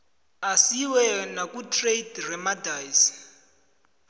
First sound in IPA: a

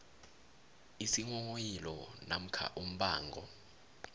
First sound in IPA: i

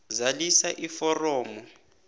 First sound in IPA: z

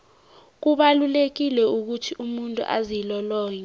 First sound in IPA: k̬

